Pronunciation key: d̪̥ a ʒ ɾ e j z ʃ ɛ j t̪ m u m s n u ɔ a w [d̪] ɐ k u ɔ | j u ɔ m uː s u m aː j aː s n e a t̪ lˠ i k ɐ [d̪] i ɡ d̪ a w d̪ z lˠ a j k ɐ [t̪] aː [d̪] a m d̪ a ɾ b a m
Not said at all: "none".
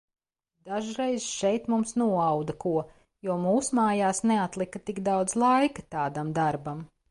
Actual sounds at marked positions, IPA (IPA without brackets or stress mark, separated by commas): d̪, t̪, t̪, d̪